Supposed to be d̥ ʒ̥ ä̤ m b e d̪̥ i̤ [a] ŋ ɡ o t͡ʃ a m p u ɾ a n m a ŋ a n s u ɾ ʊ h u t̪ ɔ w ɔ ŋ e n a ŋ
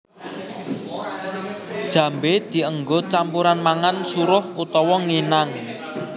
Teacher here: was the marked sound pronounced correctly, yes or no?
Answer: no